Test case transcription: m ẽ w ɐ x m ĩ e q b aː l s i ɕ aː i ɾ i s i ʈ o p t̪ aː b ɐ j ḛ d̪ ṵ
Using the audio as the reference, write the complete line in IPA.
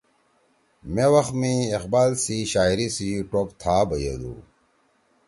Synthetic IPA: m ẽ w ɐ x m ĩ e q b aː l s i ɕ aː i ɾ i s i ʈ o p t̪ʰ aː b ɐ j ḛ d̪ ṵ